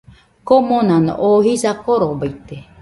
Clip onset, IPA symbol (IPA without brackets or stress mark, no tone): k